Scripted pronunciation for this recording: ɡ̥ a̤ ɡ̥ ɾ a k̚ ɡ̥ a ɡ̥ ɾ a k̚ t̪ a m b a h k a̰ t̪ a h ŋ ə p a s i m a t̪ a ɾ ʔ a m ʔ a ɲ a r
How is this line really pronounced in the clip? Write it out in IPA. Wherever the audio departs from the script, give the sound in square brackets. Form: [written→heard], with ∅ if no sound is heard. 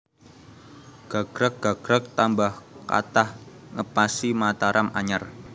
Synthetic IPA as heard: ɡ̥ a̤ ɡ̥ ɾ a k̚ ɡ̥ a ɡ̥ ɾ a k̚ t̪ a m b a h k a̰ t̪ a h ŋ ə p a s i m a t̪ a ɾ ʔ a m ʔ a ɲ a r